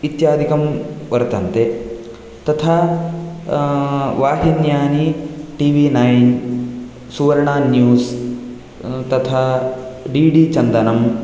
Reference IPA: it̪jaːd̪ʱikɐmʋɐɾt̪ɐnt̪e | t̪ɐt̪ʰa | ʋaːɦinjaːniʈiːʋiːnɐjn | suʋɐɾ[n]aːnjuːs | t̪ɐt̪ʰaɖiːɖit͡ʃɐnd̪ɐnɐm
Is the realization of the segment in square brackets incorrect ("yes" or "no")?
yes